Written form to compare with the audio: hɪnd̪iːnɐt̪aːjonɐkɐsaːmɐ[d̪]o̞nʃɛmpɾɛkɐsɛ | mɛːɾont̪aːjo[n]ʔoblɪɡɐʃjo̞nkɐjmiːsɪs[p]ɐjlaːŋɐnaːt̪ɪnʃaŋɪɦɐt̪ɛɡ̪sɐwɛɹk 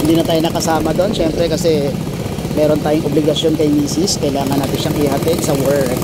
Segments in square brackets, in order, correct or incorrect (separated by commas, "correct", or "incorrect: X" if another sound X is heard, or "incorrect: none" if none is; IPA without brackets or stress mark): correct, incorrect: ŋ, incorrect: k